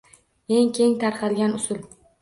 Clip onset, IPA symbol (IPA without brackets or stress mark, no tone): e̞